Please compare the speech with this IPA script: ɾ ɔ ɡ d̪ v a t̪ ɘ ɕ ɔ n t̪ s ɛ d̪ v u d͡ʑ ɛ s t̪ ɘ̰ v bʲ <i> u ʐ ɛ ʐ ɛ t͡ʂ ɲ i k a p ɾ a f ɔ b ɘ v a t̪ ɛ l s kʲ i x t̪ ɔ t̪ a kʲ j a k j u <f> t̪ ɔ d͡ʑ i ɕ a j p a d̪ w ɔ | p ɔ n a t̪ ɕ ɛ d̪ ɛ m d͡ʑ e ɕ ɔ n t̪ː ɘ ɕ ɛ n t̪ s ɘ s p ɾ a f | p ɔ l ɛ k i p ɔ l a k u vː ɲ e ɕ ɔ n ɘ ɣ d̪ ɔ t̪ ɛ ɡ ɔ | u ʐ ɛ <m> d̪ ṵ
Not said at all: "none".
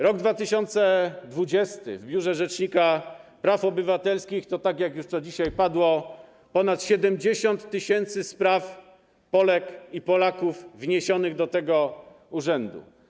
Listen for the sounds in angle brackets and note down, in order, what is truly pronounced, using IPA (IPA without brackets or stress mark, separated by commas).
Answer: j, ʂ, n